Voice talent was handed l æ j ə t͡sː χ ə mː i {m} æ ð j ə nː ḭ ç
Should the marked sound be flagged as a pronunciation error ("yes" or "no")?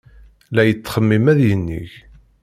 no